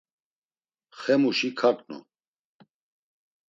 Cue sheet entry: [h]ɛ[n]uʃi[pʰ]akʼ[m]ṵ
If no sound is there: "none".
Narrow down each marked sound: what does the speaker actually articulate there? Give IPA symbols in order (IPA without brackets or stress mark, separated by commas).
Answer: χ, m, kʰ, n